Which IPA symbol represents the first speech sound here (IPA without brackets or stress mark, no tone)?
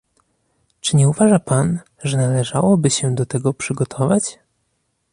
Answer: t͡ʂ